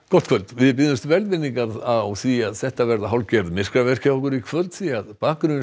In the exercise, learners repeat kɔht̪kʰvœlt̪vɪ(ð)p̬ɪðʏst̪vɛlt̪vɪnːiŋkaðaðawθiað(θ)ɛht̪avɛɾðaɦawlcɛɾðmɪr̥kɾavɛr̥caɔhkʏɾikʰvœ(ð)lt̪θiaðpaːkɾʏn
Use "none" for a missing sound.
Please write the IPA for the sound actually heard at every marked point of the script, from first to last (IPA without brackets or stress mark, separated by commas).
ð, s, none